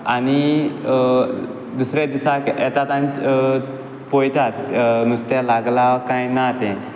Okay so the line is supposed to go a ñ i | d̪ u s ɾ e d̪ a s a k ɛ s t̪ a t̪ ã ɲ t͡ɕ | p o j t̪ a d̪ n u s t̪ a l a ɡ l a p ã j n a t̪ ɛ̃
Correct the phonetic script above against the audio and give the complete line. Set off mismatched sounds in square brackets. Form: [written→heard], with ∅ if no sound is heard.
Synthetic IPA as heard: a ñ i | d̪ u s ɾ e d̪ [a→i] s a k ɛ [s→∅] t̪ a t̪ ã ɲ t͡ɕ | p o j t̪ a [d̪→t̪] n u s t̪ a l a ɡ l a [p→k] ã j n a t̪ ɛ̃